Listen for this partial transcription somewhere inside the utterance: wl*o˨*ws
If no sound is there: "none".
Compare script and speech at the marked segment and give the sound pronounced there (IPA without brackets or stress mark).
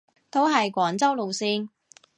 o˨